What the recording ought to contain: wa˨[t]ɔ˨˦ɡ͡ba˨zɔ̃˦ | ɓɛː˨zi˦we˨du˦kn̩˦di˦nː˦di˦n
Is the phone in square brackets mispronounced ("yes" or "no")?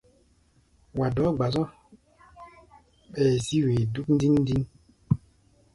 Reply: yes